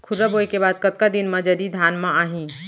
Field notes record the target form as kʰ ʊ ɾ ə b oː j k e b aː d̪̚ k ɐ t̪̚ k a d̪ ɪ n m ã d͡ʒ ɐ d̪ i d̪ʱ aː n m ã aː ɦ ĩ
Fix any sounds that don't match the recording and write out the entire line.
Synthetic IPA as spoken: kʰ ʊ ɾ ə b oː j k e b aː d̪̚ k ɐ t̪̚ k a d̪ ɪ n m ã d͡ʒ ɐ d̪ i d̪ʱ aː n m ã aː ɦ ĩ

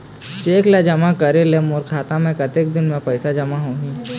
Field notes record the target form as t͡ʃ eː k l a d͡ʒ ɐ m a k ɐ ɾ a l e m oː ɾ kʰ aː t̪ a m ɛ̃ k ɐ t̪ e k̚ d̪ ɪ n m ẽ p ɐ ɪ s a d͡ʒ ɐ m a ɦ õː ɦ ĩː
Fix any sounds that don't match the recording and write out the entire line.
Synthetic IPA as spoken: t͡ʃ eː k l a d͡ʒ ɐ m a k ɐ ɾ e l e m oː ɾ kʰ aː t̪ a m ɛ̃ k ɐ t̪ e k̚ d̪ ɪ n m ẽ p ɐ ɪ s a d͡ʒ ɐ m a ɦ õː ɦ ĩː

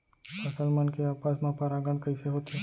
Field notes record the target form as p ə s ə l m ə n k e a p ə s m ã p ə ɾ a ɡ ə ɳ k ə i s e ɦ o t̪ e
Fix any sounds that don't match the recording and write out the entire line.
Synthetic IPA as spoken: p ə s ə l m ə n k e a p a s m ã p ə ɾ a ɡ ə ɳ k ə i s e ɦ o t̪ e

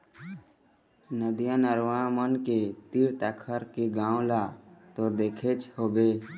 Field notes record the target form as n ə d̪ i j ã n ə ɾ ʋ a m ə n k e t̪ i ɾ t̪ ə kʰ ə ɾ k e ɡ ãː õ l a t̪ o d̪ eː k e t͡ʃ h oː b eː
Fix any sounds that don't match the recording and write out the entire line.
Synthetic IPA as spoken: n ə d̪ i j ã n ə ɾ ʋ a m ə n k e t̪ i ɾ t̪ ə kʰ ə ɾ k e ɡ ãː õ l a t̪ o d̪ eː kʰ e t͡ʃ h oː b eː

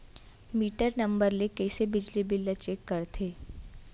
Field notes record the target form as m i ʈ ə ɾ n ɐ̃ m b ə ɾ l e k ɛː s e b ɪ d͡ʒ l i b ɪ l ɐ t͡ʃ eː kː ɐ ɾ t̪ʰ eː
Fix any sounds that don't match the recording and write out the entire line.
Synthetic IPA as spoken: m iː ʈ ə ɾ n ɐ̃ m b ə ɾ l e k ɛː s e b ɪ d͡ʒ l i b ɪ l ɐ t͡ʃ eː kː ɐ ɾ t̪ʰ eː

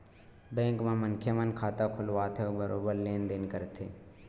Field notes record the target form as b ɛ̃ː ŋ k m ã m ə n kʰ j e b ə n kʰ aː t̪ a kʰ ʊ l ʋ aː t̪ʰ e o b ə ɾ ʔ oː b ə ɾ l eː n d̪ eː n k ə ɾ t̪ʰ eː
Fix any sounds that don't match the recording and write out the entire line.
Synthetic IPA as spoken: b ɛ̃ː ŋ k m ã m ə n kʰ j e m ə n kʰ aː t̪ a kʰ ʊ l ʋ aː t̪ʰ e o b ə ɾ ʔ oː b ə ɾ l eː n d̪ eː n k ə ɾ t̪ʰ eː

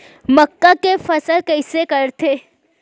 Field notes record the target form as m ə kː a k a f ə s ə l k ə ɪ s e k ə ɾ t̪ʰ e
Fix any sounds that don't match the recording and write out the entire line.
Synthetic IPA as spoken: m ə kː a k e f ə s ə l k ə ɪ s e k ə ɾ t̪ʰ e

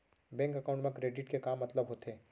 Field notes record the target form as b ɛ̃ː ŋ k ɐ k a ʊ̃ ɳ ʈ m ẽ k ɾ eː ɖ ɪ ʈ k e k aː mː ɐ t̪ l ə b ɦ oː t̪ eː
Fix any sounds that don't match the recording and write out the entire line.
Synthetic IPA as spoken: b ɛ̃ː ŋ k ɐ k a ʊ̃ ɳ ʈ m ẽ k ɾ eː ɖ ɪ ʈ k e k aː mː ɐ t̪ l ə b ɦ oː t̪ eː

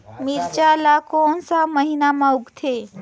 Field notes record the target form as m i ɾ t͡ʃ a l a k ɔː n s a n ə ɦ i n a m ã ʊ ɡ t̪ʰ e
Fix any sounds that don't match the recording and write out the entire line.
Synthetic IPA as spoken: m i ɾ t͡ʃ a l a k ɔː n s a m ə ɦ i n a m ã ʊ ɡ t̪ʰ e

